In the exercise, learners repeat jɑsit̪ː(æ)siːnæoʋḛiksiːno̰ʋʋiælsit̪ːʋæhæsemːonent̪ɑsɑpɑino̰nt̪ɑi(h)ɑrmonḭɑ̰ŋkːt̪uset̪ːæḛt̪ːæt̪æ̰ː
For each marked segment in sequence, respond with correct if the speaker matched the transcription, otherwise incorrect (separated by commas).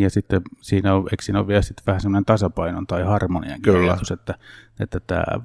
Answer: incorrect, correct